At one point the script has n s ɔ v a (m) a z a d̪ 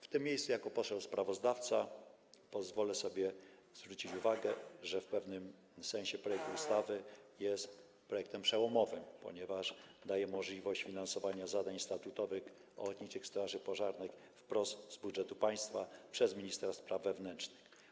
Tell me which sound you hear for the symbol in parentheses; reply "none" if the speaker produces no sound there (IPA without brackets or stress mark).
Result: ɲ